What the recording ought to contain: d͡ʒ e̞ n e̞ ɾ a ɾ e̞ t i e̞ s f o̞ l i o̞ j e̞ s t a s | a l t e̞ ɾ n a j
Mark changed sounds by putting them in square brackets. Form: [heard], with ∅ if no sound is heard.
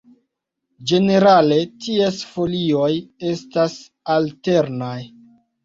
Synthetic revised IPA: d͡ʒ e̞ n e̞ ɾ a [l] e̞ t i e̞ s f o̞ l i o̞ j e̞ s t a s | a l t e̞ ɾ n a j